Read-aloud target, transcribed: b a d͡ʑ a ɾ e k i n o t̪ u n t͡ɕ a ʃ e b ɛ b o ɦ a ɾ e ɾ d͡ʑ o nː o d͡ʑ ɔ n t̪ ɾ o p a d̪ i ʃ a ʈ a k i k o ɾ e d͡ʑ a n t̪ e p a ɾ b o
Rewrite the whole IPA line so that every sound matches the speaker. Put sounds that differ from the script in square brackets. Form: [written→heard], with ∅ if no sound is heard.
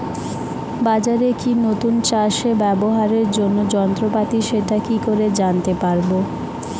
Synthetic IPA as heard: b a d͡ʑ a ɾ e k i n o t̪ u n t͡ɕ a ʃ e b ɛ b o ɦ a ɾ e ɾ d͡ʑ o nː o d͡ʑ ɔ n t̪ ɾ o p a [d̪→t̪] i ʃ [a→e] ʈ a k i k o ɾ e d͡ʑ a n t̪ e p a ɾ b o